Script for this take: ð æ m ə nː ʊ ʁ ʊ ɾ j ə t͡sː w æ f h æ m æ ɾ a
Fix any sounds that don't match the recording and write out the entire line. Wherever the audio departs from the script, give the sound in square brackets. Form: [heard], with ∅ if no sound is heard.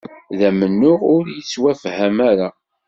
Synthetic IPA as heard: ð æ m ə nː ʊ ʁ ʊ ɾ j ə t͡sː w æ f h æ m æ ɾ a